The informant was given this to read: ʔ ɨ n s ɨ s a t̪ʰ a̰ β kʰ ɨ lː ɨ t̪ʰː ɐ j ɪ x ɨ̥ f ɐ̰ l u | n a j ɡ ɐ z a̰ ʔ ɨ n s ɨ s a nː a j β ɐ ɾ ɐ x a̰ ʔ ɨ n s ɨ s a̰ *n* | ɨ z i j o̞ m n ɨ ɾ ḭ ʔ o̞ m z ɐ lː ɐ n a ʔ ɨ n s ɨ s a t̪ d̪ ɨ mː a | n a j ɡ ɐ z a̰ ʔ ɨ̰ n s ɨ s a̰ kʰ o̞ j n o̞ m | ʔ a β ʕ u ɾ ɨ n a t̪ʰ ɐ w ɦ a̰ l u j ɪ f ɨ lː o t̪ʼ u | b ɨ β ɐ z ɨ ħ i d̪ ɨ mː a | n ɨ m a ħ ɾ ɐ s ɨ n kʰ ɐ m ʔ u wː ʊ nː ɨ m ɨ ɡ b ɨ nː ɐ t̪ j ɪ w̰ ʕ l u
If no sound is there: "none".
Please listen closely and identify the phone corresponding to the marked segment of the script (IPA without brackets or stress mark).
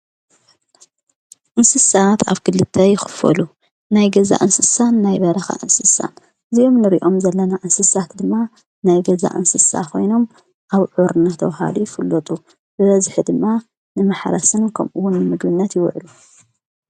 n